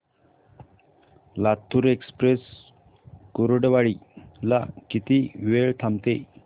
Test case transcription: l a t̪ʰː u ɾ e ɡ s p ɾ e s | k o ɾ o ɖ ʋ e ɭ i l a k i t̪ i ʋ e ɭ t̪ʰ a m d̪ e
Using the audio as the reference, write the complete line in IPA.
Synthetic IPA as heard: l a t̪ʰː u ɾ e k s p ɾ e s | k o ɾ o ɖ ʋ a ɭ i l a k i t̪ i ʋ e ɭ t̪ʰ a m t̪ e

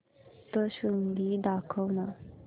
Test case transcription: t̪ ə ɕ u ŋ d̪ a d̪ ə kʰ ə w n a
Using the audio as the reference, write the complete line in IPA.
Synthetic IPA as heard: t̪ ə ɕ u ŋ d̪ i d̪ a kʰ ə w n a

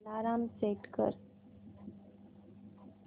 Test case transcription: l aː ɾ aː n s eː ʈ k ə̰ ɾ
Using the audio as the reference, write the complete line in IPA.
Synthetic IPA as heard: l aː ɾ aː m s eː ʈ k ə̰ ɾ

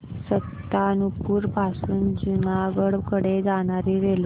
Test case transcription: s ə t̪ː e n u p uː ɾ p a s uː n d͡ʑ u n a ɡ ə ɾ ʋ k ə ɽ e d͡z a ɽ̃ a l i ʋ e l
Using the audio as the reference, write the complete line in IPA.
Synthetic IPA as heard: s ə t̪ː a n u p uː ɾ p a s uː n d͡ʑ u n a ɡ ə ɽ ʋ k ə ɽ e d͡z a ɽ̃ a ɾ i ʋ e l

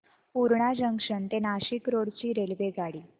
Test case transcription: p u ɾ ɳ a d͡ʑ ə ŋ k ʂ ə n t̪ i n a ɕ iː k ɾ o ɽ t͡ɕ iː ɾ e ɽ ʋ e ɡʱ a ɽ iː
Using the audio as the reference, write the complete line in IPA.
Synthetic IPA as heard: p u ɾ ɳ a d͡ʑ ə ŋ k ʂ ə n t̪ e n a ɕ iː k ɾ o ɽ t͡ɕ iː ɾ e l ʋ e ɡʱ a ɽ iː

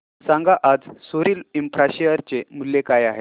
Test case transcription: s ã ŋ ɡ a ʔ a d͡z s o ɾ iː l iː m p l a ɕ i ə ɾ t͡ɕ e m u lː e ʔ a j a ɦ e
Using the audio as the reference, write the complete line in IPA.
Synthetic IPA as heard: s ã ŋ ɡ a ʔ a d͡z s o ɾ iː l i m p ɾ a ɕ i ə ɾ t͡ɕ e m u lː e k a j a ɦ e

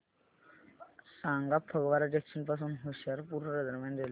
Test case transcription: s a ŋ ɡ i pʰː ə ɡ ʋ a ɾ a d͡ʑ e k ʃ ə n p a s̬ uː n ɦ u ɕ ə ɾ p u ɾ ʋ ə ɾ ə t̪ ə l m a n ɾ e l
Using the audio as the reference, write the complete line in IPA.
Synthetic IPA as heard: s a ŋ ɡ a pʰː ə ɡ ʋ a ɾ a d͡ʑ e k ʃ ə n p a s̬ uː n ɦ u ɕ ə ɾ p u ɾ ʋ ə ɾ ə d̪ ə ɾ m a n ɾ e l

